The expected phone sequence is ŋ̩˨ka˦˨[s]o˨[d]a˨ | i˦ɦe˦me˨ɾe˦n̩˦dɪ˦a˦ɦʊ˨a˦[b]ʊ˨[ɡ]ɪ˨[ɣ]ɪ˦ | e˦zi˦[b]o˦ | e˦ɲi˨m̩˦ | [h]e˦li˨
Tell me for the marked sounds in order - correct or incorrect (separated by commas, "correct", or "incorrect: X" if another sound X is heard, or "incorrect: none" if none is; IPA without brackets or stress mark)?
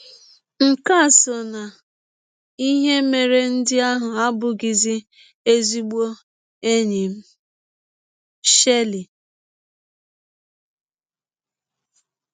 correct, incorrect: n, correct, correct, incorrect: z, incorrect: ɡ͡b, incorrect: ʃ